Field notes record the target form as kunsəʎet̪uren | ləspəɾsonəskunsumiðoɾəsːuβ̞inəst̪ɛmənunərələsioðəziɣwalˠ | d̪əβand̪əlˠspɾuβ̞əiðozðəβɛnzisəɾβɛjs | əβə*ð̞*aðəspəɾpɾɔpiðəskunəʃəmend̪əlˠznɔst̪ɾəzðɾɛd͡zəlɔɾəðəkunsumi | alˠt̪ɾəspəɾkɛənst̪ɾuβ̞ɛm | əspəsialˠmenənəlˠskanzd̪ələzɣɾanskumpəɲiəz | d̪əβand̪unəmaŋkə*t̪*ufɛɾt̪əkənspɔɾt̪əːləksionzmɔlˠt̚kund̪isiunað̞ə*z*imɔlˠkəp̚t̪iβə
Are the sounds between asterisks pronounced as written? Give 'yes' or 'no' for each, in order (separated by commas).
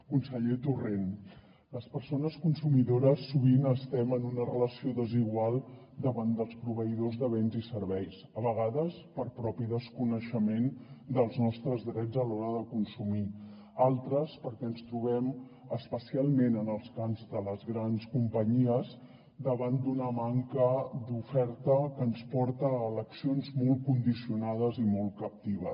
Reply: no, no, yes